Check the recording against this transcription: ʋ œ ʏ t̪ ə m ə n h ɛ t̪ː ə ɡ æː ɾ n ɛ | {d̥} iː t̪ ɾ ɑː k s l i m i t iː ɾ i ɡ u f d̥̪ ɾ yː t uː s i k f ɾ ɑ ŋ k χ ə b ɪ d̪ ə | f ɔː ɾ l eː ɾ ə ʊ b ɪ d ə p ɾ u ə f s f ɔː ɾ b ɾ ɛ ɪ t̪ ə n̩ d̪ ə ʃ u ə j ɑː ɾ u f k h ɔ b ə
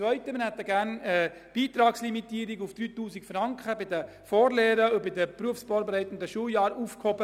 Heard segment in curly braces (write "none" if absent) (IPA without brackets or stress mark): b̥